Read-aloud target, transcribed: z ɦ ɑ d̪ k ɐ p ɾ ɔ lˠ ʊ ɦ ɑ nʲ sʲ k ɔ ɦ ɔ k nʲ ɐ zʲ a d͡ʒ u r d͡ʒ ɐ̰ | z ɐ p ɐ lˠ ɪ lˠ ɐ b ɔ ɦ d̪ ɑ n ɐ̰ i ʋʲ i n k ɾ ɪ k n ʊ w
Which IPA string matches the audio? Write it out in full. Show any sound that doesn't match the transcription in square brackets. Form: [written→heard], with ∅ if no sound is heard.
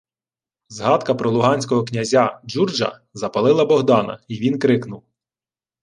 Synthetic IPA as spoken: z ɦ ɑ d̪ k ɐ p ɾ ɔ lˠ ʊ ɦ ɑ nʲ sʲ k ɔ ɦ ɔ k nʲ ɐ zʲ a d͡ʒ u r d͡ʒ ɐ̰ | z ɐ p ɐ lˠ ɪ lˠ ɐ b ɔ ɦ d̪ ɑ n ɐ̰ i ʋʲ i n k ɾ ɪ k n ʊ w